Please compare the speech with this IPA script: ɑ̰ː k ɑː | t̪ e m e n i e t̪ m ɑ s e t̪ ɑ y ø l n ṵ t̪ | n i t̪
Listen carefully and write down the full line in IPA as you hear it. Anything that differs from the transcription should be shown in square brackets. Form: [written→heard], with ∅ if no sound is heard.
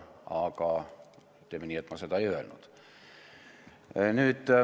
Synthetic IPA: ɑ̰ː k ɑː | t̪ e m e n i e t̪ m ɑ s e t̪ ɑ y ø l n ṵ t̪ | n [i→y] t̪